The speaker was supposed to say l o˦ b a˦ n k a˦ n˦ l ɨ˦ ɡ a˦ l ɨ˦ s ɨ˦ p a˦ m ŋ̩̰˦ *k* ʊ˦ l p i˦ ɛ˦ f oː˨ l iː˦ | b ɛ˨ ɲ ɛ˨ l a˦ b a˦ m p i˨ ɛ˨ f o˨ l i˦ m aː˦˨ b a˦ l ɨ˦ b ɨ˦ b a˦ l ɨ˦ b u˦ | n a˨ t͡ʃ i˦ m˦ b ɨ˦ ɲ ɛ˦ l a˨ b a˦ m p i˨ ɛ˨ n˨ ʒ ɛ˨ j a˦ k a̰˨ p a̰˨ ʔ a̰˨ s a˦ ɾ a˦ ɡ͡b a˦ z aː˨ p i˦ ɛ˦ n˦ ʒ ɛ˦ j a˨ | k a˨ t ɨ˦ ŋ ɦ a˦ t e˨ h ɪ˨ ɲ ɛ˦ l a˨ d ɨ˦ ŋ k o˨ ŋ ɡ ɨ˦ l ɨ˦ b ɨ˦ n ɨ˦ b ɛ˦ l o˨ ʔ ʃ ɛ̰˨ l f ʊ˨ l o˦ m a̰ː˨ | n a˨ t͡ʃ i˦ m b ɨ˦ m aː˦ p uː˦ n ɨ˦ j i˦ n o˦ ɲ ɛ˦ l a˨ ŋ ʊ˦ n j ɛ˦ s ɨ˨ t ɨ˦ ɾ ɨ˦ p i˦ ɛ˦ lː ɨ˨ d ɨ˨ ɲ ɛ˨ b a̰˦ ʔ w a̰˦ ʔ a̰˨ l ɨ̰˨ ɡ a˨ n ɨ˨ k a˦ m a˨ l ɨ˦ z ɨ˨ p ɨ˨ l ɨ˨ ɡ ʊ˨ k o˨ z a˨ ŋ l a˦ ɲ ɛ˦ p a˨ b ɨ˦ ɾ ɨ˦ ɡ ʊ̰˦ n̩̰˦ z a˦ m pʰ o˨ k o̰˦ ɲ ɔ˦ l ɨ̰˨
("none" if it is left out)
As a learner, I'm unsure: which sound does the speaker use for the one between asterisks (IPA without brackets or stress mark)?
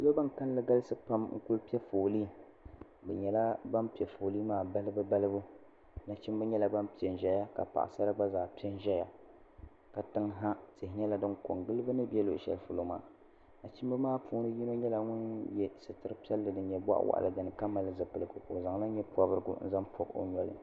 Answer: k